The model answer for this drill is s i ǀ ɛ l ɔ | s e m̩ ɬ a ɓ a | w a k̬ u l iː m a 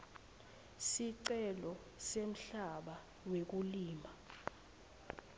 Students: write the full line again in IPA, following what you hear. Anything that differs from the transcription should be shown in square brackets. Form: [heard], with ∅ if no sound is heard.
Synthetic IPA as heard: s i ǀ ɛ l ɔ | s e m̩ ɬ a ɓ a | w [e] k̬ u l iː m a